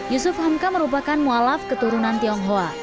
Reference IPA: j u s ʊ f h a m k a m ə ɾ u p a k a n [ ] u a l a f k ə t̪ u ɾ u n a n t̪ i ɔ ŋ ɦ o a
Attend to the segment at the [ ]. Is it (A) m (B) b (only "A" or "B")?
A